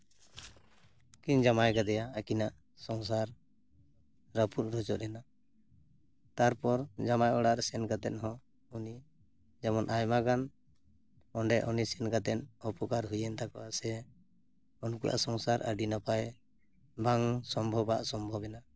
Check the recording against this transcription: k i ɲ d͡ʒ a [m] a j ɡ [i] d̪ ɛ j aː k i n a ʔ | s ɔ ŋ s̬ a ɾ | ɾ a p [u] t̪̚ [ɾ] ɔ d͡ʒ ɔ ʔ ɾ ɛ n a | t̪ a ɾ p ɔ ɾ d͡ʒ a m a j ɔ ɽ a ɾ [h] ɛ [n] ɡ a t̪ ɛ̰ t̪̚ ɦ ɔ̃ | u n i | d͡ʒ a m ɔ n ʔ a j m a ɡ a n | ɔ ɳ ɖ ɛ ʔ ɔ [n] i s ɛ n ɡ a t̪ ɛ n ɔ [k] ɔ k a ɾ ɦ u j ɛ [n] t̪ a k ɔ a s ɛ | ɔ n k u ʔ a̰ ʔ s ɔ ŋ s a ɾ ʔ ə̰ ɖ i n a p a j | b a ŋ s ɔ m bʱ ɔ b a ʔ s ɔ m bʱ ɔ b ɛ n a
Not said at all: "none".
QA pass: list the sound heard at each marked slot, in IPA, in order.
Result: m, a, u, ɾ, s, n, n, p, n

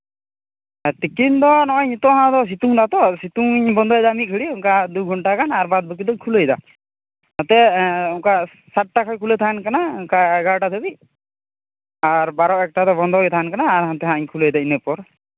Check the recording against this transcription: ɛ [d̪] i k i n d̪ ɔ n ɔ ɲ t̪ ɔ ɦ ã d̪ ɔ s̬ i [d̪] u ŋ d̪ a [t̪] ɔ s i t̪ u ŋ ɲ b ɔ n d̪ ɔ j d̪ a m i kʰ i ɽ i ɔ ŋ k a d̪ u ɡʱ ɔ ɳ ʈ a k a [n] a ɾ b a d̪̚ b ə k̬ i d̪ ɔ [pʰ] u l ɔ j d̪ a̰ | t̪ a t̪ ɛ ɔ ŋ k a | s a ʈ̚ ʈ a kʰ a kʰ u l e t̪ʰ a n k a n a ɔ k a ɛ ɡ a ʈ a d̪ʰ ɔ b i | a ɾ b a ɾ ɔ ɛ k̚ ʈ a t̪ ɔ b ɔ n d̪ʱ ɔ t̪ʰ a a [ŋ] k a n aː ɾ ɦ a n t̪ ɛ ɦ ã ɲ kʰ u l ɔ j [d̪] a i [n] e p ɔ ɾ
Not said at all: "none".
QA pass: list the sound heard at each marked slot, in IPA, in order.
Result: t̪, t̪, t̪, n, kʰ, n, d̪, n

